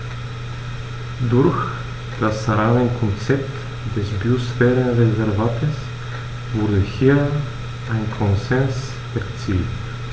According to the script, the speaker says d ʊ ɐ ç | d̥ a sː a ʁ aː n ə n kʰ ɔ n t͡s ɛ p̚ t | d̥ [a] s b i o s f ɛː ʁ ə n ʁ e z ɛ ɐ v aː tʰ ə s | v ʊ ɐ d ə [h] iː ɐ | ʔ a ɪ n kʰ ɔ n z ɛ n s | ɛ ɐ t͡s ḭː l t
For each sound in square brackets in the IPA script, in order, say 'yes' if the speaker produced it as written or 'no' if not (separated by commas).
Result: no, yes